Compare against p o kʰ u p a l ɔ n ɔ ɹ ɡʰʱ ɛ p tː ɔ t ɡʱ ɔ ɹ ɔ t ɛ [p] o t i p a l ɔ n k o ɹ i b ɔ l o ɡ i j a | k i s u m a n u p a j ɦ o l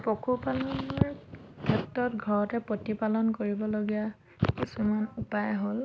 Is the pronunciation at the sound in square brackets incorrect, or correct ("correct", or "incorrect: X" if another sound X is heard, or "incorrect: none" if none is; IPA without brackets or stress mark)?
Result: correct